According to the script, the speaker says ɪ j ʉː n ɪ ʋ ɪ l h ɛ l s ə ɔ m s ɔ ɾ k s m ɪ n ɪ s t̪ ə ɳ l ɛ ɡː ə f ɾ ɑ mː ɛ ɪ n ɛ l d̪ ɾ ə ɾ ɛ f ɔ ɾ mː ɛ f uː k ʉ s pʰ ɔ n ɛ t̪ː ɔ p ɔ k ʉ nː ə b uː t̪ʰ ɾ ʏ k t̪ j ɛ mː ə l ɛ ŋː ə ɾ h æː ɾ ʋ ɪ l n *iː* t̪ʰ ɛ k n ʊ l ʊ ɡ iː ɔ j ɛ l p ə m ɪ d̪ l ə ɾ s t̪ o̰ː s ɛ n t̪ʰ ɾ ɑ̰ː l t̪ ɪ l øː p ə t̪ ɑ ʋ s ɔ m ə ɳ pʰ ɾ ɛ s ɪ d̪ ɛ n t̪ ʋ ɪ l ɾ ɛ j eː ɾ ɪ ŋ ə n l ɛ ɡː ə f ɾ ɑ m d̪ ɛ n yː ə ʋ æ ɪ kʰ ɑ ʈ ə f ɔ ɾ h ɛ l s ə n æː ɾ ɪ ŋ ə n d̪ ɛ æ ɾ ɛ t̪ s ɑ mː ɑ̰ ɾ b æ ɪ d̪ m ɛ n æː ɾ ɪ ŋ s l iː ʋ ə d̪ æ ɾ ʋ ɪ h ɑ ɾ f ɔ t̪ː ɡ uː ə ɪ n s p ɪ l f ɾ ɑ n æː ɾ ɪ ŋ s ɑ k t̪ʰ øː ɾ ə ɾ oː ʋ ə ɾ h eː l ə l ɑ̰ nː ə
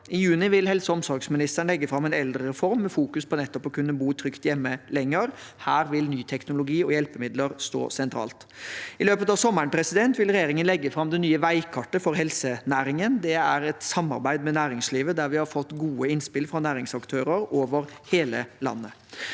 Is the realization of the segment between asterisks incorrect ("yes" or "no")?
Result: yes